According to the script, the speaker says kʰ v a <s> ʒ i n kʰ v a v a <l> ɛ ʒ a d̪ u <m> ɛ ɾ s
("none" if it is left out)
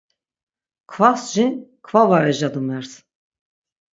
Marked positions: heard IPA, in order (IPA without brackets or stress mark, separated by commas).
s, ɾ, m